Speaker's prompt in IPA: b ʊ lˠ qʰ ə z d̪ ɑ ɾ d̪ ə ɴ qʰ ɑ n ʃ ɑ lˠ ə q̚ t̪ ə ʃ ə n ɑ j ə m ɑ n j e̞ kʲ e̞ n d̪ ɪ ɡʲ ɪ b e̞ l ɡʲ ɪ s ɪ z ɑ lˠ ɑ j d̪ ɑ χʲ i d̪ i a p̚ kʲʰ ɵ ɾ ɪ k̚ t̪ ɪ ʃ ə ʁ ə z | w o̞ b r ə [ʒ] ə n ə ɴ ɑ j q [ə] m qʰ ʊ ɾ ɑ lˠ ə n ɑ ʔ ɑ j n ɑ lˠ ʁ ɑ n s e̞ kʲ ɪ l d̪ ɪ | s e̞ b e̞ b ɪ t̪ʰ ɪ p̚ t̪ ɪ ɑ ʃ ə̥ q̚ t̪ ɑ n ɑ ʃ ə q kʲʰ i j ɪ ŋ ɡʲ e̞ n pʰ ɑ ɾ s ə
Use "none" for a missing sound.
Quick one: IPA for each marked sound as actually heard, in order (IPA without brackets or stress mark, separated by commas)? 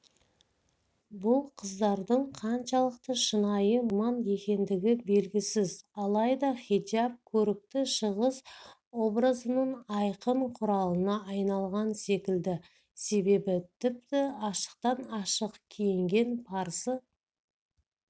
z, ə